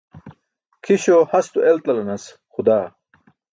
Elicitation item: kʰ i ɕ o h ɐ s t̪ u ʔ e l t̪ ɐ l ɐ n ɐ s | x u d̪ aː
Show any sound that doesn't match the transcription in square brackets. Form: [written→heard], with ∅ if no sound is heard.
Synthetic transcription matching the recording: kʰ i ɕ o h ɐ s t̪ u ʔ e l t̪ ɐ l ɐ n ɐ s | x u d̪ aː